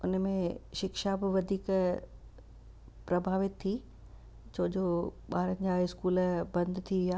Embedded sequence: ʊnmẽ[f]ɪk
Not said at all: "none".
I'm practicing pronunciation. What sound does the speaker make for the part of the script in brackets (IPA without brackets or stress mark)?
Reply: ʃ